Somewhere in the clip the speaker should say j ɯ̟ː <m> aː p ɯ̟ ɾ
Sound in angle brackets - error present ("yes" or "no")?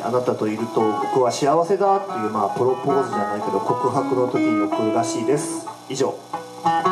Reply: no